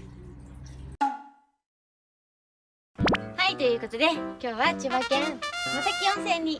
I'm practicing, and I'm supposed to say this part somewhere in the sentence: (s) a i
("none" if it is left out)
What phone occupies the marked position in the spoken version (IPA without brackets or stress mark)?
h